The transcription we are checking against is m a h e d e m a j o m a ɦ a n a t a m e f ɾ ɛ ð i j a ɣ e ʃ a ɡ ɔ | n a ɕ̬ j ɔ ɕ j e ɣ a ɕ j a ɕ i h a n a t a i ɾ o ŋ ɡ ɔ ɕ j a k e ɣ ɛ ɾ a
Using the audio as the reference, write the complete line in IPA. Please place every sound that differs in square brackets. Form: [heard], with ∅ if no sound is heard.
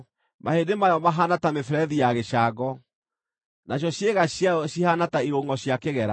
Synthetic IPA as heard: m a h e d e m a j [ɔ] m a ɦ a n a t a m e f ɾ ɛ ð i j a ɣ e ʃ a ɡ ɔ | n a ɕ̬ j ɔ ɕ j e ɣ a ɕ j a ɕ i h a n a t a i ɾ o ŋ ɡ ɔ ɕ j a k e ɣ ɛ ɾ a